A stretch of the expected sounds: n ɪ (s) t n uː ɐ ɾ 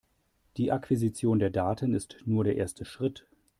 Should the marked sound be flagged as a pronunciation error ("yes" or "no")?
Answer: no